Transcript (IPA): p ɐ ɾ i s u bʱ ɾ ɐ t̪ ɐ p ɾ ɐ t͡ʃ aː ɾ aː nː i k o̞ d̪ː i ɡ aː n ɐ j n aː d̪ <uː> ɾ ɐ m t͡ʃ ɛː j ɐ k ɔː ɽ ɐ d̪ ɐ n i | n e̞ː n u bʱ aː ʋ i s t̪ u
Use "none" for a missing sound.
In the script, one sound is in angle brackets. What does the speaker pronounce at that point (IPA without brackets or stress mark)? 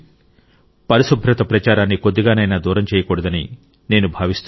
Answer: uː